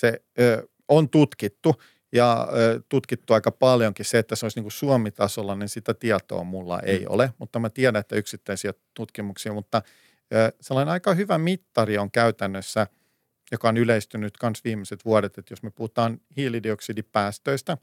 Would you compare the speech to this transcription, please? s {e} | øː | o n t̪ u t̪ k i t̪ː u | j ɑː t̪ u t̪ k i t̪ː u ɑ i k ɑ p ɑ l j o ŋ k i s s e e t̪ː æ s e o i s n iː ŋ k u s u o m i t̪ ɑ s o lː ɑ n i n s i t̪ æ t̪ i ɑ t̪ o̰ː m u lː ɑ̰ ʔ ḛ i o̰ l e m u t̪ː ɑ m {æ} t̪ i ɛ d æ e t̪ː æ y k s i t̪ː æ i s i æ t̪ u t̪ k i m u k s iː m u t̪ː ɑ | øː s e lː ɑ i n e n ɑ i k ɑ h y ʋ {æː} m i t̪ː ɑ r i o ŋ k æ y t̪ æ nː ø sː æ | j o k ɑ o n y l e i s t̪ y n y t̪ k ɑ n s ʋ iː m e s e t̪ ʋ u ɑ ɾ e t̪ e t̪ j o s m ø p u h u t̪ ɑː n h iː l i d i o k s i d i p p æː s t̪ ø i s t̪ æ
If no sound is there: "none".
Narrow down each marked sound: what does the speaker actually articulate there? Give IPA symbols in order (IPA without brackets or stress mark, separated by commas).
e, æ, æ